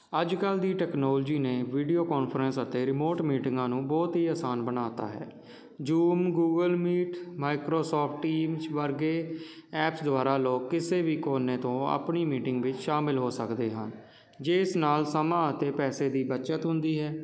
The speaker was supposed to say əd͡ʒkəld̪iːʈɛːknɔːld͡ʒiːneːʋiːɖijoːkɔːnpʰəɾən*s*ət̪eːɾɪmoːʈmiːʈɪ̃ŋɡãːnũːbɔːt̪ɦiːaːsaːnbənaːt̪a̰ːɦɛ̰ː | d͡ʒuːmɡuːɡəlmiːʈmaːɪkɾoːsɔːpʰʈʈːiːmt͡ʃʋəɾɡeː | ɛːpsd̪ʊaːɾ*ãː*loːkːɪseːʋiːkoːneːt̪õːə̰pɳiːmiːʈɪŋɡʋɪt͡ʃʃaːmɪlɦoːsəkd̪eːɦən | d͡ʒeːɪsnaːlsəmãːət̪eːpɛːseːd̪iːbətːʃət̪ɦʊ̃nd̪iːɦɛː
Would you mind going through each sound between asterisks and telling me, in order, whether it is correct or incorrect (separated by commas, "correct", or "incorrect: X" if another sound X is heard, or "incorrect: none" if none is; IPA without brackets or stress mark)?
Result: correct, incorrect: aː